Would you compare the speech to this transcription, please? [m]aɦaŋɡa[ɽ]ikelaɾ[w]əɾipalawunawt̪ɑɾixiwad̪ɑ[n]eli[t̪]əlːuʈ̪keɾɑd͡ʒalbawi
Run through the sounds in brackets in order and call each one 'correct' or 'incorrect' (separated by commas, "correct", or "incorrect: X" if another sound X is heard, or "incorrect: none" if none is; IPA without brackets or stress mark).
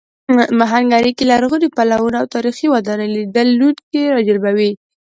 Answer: correct, incorrect: ɾ, incorrect: ɣ, correct, incorrect: d̪